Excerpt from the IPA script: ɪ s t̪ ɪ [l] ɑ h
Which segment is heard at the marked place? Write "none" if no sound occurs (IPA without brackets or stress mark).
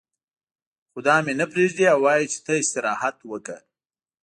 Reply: ɾ